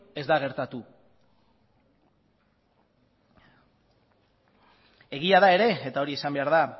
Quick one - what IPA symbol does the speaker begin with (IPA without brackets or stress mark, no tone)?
e̞